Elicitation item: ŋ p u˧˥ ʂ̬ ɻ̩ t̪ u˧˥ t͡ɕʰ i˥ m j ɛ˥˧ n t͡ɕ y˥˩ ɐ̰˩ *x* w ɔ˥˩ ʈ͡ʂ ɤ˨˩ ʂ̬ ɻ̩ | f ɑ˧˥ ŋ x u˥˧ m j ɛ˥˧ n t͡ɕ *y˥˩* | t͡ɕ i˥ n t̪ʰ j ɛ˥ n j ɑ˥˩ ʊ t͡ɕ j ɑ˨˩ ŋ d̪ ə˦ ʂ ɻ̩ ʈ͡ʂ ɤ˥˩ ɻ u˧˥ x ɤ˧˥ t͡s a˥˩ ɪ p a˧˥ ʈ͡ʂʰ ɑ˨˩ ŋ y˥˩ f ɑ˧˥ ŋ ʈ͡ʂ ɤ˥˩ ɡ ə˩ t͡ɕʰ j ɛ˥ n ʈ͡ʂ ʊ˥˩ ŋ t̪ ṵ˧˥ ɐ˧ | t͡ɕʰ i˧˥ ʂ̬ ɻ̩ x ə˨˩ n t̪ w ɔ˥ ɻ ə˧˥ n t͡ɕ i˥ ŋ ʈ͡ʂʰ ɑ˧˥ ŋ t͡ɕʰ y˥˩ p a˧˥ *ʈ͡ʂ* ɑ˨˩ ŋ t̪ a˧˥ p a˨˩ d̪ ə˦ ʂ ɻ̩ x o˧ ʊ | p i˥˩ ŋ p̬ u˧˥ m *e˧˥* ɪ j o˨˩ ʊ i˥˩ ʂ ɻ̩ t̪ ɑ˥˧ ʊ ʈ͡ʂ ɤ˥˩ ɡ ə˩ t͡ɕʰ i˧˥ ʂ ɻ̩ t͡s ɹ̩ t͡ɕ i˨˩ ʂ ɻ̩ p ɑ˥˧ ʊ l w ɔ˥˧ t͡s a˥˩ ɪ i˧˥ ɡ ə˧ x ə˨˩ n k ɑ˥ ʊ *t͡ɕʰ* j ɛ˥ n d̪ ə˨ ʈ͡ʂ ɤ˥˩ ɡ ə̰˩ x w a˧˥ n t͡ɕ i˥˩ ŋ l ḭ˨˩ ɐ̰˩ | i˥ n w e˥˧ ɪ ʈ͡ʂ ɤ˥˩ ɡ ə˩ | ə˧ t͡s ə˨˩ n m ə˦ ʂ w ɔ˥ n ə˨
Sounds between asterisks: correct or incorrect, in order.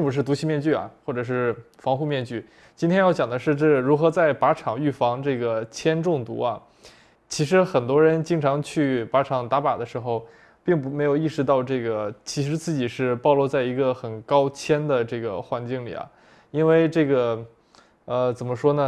correct, correct, incorrect, correct, correct

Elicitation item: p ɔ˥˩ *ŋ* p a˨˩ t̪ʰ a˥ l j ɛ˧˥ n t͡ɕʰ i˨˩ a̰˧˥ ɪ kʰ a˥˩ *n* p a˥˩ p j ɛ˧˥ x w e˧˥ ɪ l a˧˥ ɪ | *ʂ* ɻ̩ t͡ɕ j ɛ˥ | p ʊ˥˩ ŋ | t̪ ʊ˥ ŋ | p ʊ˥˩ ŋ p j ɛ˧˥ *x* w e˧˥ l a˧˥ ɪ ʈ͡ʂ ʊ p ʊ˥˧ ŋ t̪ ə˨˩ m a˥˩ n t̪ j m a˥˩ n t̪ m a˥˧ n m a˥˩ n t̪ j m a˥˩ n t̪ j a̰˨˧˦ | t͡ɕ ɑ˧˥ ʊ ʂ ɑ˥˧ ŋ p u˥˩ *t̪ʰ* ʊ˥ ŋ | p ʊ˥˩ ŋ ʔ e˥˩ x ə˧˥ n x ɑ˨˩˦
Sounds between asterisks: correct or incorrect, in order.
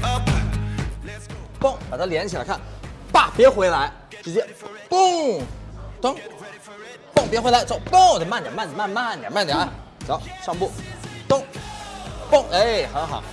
correct, correct, incorrect, correct, incorrect

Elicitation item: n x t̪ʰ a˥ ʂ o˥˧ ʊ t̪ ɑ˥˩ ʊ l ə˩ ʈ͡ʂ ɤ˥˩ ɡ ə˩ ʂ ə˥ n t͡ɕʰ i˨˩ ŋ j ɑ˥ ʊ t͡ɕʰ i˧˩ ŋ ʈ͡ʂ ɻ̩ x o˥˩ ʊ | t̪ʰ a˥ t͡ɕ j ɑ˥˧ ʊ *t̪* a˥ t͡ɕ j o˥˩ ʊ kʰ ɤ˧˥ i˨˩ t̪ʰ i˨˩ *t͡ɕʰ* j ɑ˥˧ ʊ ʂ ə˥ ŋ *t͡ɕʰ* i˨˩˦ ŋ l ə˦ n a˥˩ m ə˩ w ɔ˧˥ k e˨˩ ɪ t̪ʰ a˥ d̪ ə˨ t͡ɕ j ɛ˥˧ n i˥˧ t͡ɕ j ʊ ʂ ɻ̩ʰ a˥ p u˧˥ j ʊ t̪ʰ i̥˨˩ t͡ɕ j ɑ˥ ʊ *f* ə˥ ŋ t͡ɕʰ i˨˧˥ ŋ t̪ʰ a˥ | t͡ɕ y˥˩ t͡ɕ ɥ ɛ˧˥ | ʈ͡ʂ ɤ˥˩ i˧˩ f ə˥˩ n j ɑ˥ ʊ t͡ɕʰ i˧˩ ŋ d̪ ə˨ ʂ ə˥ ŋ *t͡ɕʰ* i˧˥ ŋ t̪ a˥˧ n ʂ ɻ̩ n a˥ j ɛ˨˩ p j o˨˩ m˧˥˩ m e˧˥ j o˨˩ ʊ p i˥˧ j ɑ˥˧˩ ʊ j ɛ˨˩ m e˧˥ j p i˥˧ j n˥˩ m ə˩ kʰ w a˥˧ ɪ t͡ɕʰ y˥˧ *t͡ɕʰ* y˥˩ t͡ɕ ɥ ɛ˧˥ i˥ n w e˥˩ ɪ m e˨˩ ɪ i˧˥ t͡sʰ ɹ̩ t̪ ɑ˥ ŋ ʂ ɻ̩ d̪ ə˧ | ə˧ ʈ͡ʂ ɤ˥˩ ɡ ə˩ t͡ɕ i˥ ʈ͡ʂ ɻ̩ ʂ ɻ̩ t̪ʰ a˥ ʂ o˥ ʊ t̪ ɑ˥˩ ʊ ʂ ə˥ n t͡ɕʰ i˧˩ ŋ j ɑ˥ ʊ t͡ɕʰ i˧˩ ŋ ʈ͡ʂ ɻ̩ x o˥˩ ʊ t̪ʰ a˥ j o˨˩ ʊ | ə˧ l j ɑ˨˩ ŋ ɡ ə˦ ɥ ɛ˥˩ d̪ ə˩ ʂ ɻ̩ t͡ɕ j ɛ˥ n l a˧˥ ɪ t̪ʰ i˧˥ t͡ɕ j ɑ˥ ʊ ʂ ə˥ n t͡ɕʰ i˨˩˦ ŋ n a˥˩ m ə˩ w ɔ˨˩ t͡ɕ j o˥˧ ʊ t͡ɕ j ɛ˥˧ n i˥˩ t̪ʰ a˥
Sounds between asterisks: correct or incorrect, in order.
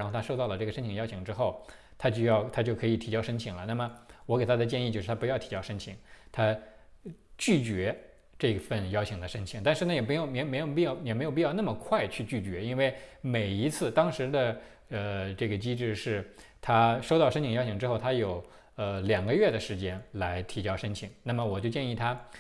incorrect, incorrect, correct, incorrect, correct, incorrect

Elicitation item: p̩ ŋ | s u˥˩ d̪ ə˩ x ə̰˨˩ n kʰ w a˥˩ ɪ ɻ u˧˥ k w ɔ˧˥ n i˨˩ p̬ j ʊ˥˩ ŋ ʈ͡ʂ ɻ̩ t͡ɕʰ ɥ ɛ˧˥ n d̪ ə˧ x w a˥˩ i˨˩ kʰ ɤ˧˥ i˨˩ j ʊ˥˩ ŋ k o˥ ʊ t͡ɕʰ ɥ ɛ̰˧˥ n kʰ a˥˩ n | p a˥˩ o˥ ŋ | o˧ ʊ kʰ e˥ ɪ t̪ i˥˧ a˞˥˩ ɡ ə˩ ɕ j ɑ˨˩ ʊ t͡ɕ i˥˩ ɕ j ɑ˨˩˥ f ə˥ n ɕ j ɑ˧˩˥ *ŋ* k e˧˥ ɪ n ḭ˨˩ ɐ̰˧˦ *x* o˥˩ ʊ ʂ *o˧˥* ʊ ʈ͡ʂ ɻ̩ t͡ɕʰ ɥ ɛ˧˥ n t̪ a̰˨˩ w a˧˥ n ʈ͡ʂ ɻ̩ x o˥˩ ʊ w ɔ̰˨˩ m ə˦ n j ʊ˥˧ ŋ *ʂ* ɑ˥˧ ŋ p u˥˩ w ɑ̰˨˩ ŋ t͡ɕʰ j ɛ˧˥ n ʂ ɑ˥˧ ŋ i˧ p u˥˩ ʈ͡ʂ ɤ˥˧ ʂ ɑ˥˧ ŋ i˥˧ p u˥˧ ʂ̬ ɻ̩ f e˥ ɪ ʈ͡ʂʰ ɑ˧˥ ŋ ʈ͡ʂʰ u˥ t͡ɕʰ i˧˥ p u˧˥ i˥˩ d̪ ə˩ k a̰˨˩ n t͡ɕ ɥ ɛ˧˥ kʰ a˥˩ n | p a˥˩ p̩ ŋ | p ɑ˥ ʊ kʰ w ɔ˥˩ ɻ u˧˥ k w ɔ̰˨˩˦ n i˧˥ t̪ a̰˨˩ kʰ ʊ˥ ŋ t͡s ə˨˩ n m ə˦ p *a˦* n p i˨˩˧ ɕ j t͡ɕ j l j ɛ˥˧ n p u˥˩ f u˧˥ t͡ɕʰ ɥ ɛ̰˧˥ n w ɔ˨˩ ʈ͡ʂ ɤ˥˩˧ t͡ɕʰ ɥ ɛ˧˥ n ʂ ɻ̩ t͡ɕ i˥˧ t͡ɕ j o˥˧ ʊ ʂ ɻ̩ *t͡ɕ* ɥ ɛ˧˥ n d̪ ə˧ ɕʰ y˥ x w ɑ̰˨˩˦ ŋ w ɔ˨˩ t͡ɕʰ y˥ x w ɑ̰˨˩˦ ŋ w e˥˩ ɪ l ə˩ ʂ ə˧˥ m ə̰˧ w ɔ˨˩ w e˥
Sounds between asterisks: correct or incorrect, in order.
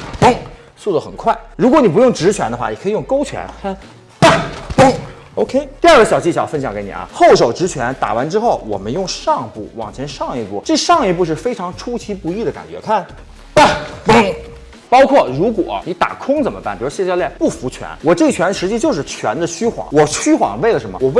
correct, correct, incorrect, correct, incorrect, incorrect

